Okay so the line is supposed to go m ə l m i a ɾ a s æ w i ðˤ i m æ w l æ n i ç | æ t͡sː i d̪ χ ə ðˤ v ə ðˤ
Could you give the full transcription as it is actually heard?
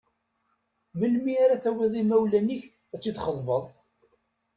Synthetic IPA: m ə l m i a ɾ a θ æ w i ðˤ i m æ w l æ n i ç | æ t͡sː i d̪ χ ə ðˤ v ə ðˤ